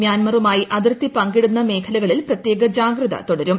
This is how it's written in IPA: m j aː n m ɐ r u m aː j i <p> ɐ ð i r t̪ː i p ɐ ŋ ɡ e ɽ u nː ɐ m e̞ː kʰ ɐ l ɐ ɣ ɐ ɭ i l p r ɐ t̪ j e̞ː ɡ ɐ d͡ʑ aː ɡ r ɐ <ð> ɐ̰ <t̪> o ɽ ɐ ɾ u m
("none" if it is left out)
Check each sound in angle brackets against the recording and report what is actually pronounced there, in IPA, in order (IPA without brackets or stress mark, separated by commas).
ʔ, ð, t̪